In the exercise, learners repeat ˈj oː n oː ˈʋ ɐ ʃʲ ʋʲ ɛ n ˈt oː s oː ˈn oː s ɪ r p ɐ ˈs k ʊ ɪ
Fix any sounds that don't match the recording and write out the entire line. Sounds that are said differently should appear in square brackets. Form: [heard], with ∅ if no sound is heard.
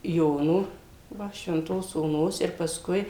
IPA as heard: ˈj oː n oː ˈʋ ɐ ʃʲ ʋʲ ɛ n ˈt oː s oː ˈn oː s ɪ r p ɐ ˈs k ʊ ɪ

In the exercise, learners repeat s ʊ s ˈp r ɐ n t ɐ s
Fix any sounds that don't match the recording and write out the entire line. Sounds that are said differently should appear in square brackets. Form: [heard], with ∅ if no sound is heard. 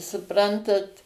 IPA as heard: s ʊ [∅] ˈp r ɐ n t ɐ [t]

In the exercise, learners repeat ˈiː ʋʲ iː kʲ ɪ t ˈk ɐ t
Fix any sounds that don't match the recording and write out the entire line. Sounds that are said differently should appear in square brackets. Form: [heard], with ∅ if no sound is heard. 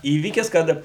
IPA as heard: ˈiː ʋʲ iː kʲ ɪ [s] ˈk ɐ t

